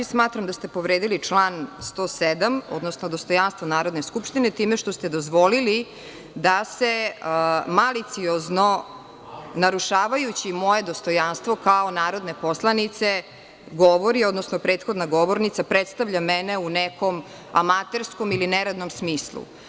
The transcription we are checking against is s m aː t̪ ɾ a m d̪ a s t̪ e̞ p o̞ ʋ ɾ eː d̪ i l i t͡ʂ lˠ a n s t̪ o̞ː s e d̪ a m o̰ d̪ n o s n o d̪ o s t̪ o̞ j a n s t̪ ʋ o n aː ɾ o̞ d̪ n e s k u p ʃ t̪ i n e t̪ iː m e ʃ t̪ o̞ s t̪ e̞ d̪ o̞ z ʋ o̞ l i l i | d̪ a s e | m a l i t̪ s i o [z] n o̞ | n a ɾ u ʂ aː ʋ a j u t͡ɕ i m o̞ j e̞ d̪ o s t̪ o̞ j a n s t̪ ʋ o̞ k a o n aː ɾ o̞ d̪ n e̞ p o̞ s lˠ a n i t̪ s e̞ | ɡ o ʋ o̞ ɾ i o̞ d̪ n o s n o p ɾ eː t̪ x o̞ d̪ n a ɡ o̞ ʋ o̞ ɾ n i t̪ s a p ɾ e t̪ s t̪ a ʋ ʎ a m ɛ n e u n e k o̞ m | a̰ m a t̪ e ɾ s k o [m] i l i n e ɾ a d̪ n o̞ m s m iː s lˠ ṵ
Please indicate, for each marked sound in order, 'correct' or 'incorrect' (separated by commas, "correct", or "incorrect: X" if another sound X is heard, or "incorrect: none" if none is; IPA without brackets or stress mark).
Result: correct, correct